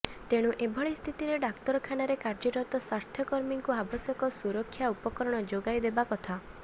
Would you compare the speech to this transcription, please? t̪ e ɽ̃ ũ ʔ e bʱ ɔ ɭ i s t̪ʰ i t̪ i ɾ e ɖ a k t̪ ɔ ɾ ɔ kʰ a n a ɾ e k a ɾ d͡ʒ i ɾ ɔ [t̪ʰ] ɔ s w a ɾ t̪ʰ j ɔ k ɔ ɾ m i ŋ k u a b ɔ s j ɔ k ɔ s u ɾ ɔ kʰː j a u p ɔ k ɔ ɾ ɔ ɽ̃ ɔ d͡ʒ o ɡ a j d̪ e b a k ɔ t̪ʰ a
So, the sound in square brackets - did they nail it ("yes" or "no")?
no